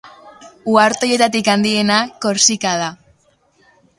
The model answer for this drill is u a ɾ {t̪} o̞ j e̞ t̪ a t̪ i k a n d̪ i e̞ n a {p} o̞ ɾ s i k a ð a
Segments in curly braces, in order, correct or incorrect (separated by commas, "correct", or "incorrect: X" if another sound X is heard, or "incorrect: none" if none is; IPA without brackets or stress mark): correct, incorrect: k